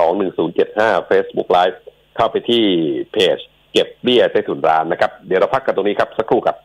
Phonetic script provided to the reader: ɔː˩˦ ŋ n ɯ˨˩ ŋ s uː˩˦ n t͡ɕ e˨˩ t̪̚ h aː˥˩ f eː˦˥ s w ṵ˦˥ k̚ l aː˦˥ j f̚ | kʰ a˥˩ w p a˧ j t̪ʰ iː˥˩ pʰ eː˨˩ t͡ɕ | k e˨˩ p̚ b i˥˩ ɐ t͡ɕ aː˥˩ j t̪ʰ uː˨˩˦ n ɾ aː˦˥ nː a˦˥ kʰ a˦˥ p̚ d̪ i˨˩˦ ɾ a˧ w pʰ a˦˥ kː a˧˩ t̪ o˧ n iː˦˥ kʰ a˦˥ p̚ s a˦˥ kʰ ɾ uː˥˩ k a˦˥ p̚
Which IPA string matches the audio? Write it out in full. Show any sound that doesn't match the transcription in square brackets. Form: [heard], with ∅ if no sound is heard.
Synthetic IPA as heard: ɔː˩˦ ŋ n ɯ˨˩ ŋ s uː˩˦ n t͡ɕ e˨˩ t̪̚ h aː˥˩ f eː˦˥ s [b] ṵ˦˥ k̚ l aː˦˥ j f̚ | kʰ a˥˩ w p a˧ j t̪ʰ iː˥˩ pʰ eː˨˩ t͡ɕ | k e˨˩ p̚ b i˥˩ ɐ t͡ɕ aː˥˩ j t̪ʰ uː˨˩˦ n ɾ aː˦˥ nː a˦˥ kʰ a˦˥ p̚ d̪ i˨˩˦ ɾ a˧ w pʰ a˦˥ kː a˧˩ t̪ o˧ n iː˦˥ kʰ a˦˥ p̚ s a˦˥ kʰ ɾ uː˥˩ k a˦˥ p̚

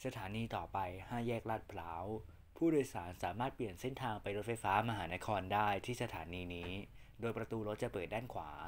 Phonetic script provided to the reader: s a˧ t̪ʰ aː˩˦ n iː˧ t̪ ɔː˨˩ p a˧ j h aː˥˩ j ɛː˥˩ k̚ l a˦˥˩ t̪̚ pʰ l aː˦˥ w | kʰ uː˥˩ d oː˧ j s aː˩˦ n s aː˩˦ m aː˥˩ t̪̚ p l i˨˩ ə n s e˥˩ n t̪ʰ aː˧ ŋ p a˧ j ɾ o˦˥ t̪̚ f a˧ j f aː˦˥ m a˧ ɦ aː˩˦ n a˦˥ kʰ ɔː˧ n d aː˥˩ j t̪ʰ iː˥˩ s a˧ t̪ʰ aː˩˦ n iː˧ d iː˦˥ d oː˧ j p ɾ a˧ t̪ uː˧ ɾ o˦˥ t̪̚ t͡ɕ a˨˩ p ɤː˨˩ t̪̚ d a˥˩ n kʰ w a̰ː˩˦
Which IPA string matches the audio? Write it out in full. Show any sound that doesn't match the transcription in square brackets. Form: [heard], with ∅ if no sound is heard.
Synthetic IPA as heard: s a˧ t̪ʰ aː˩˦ n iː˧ t̪ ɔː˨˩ p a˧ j h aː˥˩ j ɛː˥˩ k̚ l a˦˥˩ t̪̚ pʰ l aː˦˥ w | [pʰ] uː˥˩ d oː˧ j s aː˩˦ n s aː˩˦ m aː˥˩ t̪̚ p l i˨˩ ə n s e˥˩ n t̪ʰ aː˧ ŋ p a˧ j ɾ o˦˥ t̪̚ f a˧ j f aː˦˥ m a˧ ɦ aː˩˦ n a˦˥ kʰ ɔː˧ n d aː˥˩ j t̪ʰ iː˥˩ s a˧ t̪ʰ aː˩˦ n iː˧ [n] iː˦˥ d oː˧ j p ɾ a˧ t̪ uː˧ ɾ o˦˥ t̪̚ t͡ɕ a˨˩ p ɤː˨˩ t̪̚ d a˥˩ n kʰ w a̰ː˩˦

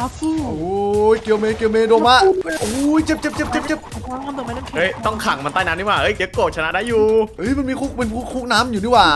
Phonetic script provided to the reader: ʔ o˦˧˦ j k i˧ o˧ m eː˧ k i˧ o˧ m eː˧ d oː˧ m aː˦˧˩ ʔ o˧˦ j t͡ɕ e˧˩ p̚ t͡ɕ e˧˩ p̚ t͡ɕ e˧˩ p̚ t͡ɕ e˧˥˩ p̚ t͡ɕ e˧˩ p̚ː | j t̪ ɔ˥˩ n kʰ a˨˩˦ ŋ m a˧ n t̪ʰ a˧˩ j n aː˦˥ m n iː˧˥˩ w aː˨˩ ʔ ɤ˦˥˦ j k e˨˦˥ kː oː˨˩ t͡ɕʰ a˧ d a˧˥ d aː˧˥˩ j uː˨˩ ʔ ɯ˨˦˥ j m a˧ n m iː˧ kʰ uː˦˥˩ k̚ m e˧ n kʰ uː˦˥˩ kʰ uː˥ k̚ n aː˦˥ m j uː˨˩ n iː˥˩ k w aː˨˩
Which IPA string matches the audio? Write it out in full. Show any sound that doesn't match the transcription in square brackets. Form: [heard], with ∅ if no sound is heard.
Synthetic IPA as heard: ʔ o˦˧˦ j k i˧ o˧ m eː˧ k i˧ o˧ m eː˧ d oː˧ m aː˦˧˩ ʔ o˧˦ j t͡ɕ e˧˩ p̚ t͡ɕ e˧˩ p̚ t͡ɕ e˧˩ p̚ t͡ɕ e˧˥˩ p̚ t͡ɕ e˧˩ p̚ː | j t̪ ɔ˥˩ [ŋ] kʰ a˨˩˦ ŋ m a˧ n [t̪] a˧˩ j n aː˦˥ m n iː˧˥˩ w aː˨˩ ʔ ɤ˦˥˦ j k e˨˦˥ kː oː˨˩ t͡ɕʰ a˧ [n] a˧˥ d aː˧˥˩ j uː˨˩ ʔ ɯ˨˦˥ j m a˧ n m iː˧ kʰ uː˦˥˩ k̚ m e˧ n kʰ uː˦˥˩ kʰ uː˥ k̚ n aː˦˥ m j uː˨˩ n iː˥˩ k w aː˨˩

